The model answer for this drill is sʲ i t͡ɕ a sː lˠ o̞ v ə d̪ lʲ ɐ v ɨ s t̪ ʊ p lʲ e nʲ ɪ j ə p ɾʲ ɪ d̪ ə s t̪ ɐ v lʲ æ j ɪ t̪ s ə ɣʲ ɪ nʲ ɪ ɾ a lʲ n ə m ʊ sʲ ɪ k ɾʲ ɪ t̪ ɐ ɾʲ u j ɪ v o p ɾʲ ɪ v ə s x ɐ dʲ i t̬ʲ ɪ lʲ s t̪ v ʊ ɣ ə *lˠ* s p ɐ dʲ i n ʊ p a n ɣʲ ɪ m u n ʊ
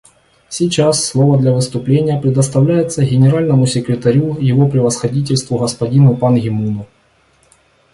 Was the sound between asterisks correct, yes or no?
no